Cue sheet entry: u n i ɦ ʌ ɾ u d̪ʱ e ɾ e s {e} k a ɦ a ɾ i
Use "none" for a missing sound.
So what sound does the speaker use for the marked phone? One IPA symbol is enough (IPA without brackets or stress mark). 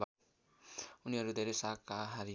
a